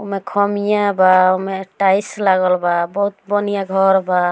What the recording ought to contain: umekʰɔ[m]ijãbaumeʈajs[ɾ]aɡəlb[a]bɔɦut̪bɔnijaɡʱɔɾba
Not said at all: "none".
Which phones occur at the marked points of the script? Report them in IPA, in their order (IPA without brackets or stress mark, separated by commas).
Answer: m, l, a